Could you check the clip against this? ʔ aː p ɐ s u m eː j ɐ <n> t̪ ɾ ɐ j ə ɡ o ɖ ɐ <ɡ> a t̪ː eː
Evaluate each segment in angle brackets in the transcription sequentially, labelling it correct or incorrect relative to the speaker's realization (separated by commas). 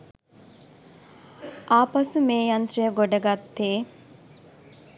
correct, correct